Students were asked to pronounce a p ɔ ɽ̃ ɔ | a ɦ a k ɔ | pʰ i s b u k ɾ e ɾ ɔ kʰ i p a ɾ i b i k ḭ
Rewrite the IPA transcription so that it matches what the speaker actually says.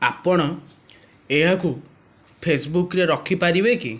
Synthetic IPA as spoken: a p ɔ ɽ̃ ɔ | e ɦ a k u | pʰ e s b u k ɾ e ɾ ɔ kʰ i p a ɾ i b e k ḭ

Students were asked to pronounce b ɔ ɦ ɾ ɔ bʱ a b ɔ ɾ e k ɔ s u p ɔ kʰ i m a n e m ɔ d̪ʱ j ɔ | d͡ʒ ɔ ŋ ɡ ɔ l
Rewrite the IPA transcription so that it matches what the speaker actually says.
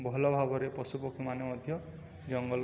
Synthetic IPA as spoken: b ɔ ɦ l ɔ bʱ a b ɔ ɾ e p ɔ s u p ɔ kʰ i m a n e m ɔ d̪ʱ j ɔ | d͡ʒ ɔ ŋ ɡ ɔ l

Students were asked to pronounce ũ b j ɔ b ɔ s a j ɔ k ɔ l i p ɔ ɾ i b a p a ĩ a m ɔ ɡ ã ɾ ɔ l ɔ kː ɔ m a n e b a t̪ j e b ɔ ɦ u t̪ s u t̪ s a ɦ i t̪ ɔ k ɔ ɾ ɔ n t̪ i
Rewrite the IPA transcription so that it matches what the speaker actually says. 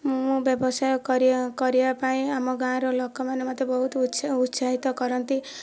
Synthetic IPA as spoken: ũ b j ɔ b ɔ s a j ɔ k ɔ ɾ i k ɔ ɾ i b a p a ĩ a m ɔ ɡ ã ɾ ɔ l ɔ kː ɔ m a n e m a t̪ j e b ɔ ɦ u t̪ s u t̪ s a ɦ i t̪ ɔ k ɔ ɾ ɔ n t̪ i

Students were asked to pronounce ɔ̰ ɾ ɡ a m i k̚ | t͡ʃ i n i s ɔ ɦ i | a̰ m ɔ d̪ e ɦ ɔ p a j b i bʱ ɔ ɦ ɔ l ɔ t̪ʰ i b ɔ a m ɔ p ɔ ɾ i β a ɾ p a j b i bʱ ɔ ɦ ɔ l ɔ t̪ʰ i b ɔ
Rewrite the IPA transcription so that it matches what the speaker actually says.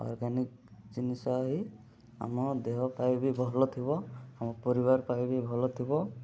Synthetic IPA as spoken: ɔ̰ ɾ ɡ a n i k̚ | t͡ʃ i n i s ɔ ɦ i | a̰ m ɔ d̪ e ɦ ɔ p a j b i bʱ ɔ ɦ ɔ l ɔ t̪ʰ i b ɔ a m ɔ p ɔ ɾ i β a ɾ p a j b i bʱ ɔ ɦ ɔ l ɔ t̪ʰ i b ɔ

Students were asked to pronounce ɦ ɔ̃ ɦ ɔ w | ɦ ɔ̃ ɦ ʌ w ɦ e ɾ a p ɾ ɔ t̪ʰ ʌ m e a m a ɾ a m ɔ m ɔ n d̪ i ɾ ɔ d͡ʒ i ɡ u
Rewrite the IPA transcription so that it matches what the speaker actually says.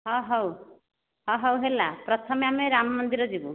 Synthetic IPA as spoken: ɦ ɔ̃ ɦ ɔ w | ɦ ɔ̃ ɦ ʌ w ɦ e l a p ɾ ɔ t̪ʰ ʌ m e a m e ɾ a m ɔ m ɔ n d̪ i ɾ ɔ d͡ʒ i b u

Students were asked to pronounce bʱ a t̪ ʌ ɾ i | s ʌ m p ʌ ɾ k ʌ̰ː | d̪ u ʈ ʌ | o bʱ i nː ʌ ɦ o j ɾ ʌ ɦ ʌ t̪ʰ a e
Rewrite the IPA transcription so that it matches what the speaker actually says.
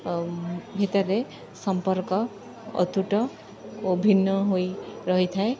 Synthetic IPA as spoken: bʱ i t̪ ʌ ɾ e | s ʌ m p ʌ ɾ k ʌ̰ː | t̪ u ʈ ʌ | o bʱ i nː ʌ ɦ o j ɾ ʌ ɦ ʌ t̪ʰ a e

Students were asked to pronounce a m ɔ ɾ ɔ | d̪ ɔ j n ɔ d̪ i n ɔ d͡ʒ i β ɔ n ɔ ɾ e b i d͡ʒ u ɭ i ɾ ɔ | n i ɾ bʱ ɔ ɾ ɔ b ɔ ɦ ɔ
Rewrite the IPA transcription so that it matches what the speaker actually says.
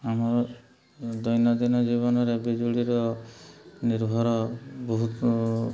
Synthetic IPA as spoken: a m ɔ ɾ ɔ | d̪ ɔ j n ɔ d̪ i n ɔ d͡ʒ i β ɔ n ɔ ɾ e b i d͡ʒ u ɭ i ɾ ɔ | n i ɾ bʱ ɔ ɾ ɔ b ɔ ɦ u

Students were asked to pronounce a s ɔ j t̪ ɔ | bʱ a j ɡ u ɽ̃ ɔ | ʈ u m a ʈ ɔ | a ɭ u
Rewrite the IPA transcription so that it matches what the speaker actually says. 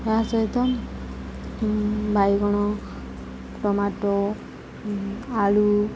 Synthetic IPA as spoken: a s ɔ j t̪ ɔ | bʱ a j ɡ ɔ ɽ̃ ɔ | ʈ ɔ m a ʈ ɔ | a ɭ u

